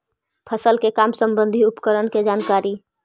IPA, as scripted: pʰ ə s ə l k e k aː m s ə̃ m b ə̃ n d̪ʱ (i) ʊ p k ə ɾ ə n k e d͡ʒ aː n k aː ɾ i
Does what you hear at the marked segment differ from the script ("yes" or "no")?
no